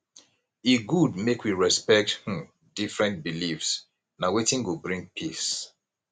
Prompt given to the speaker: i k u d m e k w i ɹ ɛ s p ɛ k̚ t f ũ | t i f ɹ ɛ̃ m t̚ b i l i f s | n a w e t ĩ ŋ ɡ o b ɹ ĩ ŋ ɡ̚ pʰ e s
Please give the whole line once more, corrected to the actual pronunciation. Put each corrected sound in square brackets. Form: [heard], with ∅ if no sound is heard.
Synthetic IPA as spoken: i [ɡ] u d m e k w i ɹ ɛ s p ɛ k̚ t [h] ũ | [d] i f ɹ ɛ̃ [n] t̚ b i l i f s | n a w e t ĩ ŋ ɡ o b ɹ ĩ ŋ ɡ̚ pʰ [i] s